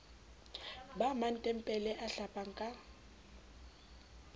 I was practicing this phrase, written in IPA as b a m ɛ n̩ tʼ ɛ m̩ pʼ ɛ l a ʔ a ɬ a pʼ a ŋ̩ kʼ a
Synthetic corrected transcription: b a m a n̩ tʼ ɛ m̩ pʼ ɛ l ɛ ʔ a ɬ a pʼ a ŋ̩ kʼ a